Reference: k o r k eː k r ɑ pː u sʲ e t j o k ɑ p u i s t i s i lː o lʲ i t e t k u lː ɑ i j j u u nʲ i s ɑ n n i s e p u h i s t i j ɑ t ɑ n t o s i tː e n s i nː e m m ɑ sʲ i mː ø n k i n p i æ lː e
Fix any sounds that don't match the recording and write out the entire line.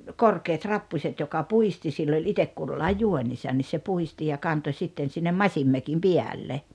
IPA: k o r k eː t r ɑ pː u sʲ e t j o k ɑ p u i s t i s i lː o lʲ i t e k k u lː ɑ i j j u o nʲ i s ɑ n n i s e p u h i s t i j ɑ k ɑ n t o s i tː e n s i nː e m m ɑ sʲ i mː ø k i m p i æ lː e